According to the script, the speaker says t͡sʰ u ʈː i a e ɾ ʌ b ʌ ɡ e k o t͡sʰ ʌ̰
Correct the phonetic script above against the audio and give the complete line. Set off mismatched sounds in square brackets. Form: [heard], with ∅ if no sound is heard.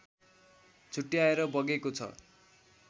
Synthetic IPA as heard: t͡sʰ u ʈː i a e ɾ ʌ b ʌ ɡ e k o t͡sʰ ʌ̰